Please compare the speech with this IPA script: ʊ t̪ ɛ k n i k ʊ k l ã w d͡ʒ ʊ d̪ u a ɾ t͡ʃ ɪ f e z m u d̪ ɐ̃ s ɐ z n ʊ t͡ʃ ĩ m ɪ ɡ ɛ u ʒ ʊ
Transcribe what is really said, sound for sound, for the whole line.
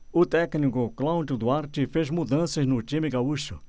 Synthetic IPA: ʊ t̪ ɛ k n i k ʊ k l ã w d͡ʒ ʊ d̪ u a ɾ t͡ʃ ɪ f e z m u d̪ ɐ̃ s ɐ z n ʊ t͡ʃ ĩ m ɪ ɡ a u ʃ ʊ